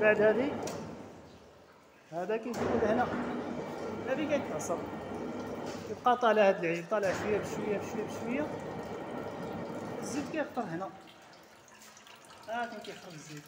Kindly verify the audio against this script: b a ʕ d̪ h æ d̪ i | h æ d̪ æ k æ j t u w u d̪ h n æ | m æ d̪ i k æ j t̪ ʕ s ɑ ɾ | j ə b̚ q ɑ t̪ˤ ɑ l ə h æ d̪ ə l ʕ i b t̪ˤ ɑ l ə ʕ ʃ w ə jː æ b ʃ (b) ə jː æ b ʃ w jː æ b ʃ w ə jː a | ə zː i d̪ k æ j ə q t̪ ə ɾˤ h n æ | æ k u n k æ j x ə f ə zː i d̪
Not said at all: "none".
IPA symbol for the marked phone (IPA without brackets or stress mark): w